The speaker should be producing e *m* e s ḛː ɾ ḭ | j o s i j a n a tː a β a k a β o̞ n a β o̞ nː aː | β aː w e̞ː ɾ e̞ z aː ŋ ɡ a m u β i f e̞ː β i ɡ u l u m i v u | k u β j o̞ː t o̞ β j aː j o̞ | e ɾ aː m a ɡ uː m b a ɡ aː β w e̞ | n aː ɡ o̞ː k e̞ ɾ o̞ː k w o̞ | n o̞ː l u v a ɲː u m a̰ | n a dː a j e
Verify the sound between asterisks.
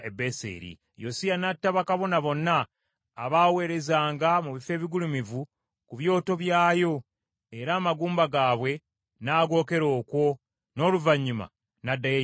incorrect: b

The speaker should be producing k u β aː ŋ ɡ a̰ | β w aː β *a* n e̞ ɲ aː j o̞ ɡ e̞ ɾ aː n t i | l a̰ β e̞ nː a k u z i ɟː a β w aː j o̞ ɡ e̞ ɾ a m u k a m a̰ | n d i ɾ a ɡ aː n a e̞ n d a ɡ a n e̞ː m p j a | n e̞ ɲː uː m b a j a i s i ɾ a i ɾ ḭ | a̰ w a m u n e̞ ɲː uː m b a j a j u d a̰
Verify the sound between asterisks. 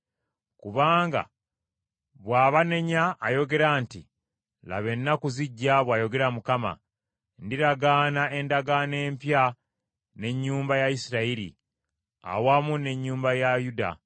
correct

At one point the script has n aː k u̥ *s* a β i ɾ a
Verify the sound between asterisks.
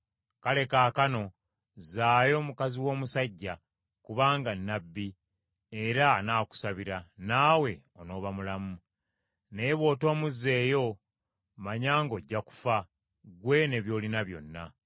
correct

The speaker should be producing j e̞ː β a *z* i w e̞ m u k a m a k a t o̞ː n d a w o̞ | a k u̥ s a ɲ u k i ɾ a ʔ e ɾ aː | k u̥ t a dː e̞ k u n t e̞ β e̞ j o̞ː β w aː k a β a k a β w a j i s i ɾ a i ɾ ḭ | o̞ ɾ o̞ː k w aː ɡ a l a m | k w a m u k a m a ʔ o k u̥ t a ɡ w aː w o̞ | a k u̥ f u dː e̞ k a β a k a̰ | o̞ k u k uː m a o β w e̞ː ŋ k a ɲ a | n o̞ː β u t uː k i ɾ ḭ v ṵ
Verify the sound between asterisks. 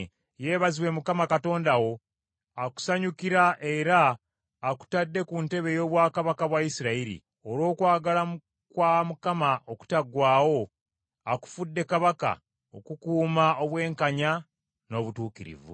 correct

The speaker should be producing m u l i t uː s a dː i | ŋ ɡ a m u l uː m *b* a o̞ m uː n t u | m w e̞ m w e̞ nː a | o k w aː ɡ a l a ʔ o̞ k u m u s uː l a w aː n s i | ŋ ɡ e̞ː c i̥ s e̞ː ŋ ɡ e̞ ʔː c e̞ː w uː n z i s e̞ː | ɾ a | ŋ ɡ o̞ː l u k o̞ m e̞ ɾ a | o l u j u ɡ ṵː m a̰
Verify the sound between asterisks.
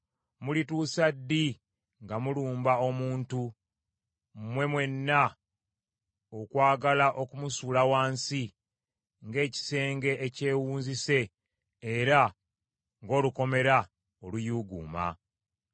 correct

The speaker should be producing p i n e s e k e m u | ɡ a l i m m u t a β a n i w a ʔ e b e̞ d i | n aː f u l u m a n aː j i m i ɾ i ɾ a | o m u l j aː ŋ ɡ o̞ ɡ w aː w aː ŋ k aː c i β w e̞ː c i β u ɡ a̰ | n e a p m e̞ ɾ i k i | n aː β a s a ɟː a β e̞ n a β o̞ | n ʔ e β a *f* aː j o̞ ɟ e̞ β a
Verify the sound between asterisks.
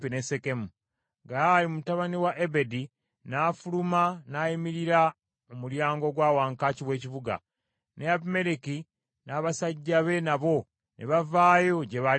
incorrect: v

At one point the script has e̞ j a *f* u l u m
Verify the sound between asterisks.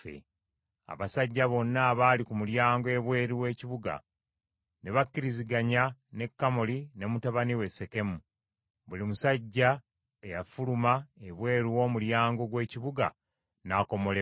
correct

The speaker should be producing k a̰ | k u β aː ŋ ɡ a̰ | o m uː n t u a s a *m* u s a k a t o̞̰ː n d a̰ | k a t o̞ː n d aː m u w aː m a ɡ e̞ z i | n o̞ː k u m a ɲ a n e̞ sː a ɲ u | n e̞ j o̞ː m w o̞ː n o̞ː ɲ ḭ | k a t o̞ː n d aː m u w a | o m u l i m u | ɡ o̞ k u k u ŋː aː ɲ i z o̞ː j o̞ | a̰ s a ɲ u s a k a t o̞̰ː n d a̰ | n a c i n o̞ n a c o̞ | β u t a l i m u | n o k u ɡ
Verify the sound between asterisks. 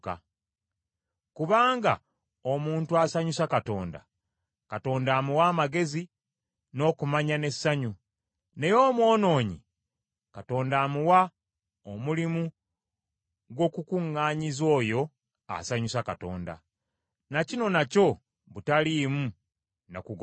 incorrect: ɲ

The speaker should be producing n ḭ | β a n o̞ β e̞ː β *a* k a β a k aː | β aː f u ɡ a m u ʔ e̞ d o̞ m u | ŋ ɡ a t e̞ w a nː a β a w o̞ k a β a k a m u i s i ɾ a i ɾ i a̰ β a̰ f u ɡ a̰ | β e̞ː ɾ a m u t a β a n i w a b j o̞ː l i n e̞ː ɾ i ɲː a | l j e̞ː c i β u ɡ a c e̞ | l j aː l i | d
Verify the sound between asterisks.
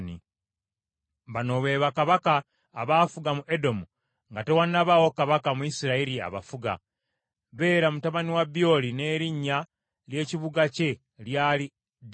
correct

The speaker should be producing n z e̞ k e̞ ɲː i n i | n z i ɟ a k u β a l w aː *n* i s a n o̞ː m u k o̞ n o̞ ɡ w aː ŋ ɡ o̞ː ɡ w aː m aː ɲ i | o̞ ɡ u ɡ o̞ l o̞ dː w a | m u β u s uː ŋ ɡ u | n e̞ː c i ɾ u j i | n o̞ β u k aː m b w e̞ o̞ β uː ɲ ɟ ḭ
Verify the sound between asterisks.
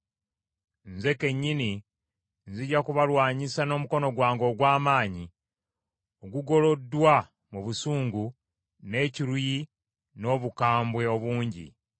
incorrect: ɲ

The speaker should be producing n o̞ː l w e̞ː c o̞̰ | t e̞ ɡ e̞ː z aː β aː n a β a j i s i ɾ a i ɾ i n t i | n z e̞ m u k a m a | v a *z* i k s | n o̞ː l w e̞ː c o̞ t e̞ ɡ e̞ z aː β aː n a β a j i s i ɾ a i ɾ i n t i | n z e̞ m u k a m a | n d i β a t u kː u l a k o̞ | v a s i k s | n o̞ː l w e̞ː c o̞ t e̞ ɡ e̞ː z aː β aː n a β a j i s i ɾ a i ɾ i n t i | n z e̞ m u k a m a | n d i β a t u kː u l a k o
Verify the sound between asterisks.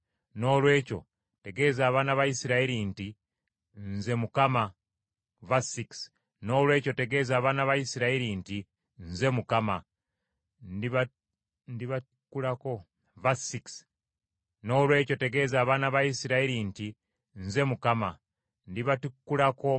incorrect: s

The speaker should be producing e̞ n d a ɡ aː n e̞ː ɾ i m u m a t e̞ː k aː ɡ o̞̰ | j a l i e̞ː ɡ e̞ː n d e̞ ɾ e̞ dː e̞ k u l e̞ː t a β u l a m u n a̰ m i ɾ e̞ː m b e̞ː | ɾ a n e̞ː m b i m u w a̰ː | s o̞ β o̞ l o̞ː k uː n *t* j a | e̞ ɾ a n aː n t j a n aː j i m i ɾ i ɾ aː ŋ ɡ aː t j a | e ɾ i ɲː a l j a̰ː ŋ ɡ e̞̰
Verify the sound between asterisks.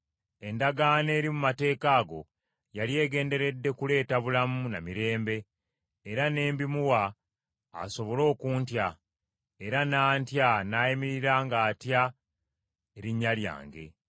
correct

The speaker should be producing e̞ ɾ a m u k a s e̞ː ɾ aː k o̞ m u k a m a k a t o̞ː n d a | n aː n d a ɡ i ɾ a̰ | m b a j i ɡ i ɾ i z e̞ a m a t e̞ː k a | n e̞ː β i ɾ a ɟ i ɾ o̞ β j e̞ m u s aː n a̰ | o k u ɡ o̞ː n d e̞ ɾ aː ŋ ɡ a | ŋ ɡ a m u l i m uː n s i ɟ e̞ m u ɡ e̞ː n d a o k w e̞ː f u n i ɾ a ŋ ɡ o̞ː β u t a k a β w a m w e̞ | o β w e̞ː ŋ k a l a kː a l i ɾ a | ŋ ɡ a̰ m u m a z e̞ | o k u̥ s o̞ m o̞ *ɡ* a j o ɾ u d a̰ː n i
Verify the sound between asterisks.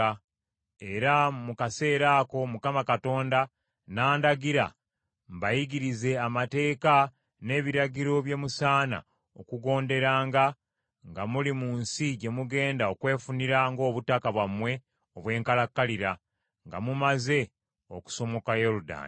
incorrect: k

